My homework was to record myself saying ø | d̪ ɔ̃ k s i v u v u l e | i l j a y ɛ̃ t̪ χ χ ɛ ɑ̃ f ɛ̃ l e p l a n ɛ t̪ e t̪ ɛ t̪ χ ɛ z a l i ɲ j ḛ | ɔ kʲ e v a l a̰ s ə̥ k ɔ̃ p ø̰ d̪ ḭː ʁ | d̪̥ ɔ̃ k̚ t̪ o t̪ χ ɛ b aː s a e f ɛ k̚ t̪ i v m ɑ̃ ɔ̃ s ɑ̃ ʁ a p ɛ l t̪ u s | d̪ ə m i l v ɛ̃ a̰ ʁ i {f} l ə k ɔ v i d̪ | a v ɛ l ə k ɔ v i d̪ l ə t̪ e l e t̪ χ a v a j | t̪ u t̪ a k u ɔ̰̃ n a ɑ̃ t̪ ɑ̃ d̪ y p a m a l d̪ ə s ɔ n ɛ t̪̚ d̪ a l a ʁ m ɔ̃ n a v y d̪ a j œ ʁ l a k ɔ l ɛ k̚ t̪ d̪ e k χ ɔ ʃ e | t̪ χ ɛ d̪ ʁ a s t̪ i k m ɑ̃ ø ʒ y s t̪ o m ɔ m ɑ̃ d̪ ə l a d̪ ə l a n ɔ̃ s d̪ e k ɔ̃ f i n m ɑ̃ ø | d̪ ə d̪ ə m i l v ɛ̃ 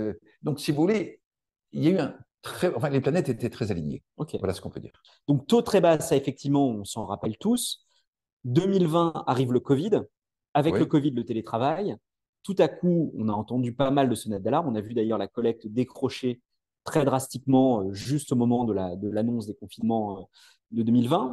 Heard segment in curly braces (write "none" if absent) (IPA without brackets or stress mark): v